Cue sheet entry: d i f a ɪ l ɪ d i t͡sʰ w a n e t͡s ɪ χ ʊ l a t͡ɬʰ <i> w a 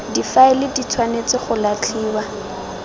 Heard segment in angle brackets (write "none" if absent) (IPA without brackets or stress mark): iː